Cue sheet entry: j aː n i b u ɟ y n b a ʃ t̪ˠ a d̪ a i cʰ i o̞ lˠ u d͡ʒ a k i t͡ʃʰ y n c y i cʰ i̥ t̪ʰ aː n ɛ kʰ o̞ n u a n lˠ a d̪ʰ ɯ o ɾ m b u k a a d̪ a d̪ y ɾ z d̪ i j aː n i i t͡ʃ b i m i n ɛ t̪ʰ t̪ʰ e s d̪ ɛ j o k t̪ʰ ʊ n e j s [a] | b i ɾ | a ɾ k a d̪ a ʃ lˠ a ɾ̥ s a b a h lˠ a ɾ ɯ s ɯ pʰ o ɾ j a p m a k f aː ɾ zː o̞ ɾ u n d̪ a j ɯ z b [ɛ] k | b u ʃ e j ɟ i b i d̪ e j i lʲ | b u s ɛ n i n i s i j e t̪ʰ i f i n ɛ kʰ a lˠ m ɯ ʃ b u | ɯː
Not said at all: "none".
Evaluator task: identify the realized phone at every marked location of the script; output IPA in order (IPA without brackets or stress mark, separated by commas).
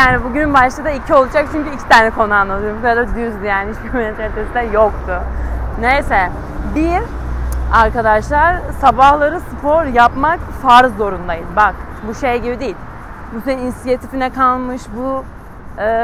ɛ, a